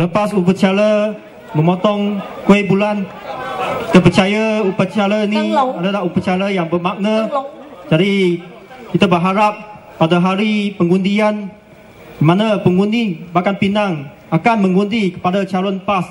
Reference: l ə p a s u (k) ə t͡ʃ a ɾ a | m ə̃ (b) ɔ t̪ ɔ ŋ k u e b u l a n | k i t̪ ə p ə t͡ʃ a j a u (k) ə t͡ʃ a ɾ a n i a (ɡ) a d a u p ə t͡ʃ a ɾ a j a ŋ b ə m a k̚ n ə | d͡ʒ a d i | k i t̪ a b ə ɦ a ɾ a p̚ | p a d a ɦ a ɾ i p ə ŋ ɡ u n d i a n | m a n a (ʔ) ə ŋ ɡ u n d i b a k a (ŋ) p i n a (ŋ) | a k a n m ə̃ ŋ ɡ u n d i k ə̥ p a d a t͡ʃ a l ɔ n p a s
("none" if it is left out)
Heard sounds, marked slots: p, m, p, d, p, n, ŋ

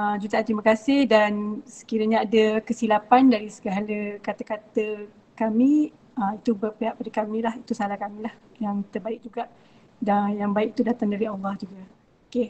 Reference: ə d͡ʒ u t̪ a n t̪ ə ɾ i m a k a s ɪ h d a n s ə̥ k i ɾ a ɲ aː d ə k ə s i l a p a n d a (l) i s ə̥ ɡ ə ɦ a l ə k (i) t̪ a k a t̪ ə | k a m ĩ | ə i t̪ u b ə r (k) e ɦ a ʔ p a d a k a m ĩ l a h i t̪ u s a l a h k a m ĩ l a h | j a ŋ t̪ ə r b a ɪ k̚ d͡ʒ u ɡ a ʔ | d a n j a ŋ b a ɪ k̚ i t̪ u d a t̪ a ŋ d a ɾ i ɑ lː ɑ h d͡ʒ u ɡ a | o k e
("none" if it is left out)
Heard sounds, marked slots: ɾ, a, p

